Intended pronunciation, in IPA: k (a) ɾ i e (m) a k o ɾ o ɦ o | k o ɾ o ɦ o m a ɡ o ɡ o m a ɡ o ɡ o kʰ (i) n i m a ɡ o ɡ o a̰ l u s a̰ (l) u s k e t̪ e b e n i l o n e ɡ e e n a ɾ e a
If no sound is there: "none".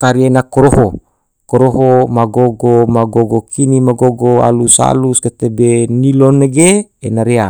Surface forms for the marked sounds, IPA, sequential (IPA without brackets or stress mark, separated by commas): a, n, i, l